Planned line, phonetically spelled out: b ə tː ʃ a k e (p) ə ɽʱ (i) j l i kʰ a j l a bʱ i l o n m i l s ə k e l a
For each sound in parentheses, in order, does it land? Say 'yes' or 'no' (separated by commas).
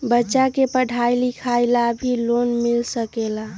yes, no